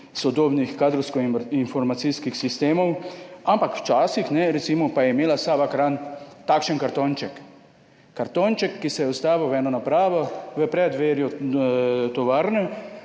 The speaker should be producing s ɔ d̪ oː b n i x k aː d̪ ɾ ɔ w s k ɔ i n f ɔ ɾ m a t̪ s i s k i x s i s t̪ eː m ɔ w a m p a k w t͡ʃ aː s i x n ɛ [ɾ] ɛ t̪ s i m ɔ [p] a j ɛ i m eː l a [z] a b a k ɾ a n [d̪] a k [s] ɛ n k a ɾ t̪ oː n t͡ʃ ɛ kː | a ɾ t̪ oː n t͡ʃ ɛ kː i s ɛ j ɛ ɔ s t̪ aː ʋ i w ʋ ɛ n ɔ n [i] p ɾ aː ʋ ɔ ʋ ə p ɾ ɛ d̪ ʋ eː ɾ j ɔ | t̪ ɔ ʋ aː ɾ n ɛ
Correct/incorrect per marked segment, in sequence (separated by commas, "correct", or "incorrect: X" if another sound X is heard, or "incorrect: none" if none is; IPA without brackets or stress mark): correct, correct, incorrect: s, incorrect: t̪, incorrect: ʃ, incorrect: a